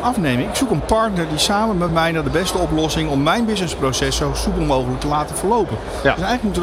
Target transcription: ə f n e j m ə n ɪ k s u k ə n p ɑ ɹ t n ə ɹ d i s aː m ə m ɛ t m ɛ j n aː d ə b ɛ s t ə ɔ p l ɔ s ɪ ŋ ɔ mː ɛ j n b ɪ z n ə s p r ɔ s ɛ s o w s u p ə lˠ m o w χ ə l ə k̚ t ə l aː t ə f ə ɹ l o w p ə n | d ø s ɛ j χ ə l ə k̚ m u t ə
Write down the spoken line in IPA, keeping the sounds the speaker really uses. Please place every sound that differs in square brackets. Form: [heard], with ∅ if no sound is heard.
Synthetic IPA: [ɑ] f n e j m ə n ɪ k s u k ə n p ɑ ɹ t n ə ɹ d i s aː m ə m ɛ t m ɛ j n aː d ə b ɛ s t ə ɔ p l ɔ s ɪ ŋ ɔ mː ɛ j n b ɪ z n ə s p r [o] s ɛ s o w s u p ə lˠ m o w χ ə l ə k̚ t ə l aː t ə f ə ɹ l o w p ə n | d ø s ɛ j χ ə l ə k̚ m u t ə